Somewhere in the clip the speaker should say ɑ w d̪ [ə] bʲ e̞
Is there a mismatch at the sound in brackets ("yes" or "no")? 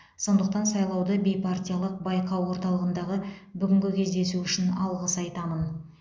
no